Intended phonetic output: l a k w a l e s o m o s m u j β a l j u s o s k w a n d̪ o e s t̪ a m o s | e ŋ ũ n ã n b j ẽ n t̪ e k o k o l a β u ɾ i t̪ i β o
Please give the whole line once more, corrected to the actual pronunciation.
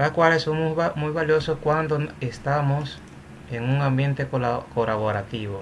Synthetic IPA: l a k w a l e s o m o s m u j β a l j o s o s k w a n d̪ o e s t̪ a m o s | e ŋ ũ ŋ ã m b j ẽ n t̪ e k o k o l a β o ɾ a t̪ i β o